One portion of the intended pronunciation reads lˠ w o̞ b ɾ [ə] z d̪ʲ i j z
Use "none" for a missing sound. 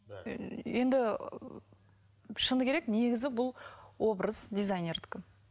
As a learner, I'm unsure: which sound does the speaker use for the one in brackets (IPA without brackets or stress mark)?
ə